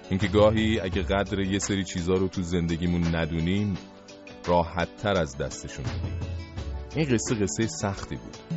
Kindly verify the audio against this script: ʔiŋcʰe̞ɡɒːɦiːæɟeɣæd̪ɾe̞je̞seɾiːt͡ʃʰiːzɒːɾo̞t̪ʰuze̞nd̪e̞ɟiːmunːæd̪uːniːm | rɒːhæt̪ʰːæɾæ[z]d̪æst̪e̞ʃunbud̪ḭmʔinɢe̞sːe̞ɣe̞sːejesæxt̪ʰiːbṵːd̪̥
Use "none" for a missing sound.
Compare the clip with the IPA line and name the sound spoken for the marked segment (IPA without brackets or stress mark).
z